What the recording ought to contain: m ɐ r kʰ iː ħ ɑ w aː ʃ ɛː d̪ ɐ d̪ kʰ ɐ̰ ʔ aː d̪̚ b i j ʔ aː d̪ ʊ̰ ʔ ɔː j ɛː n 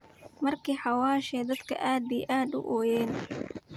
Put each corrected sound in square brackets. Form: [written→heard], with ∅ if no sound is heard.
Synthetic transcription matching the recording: m ɐ r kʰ iː ħ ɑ w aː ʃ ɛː d̪ ɐ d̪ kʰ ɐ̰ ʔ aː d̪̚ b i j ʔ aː d̪ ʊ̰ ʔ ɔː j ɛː n